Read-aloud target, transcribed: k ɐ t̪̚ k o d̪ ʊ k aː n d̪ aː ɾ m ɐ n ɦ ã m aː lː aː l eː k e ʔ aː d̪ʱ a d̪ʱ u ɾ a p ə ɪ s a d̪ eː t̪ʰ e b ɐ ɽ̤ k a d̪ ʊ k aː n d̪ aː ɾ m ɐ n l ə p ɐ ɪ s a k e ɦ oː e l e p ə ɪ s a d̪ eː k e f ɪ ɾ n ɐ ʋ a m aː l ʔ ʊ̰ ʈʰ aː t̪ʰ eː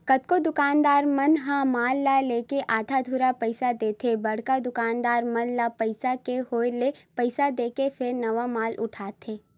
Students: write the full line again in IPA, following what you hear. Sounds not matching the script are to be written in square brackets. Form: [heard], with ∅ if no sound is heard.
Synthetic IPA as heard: k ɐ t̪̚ k o d̪ ʊ k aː n d̪ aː ɾ m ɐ n ɦ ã m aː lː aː l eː k e ʔ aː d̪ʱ a d̪ʱ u ɾ a p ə ɪ s a d̪ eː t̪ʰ e b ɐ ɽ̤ k a d̪ ʊ k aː n d̪ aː ɾ m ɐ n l [a] p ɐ ɪ s a k e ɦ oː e l e p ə ɪ s a d̪ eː k e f ɪ ɾ n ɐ ʋ a m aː l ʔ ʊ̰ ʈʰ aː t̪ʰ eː